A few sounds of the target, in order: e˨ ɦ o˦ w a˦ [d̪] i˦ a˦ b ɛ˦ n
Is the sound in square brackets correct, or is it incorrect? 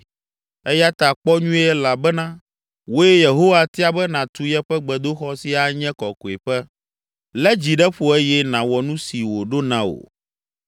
incorrect